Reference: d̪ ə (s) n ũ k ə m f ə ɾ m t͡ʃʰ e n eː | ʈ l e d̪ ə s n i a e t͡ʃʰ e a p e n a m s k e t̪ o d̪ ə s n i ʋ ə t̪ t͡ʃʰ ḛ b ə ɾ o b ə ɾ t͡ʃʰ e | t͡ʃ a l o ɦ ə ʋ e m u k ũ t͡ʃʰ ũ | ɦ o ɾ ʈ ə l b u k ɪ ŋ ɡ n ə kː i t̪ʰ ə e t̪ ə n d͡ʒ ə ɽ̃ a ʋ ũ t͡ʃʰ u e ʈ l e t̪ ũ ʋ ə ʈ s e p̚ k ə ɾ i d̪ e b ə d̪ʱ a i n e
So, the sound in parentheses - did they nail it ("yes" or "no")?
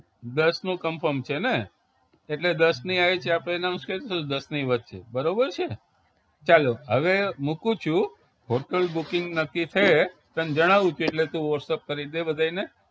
yes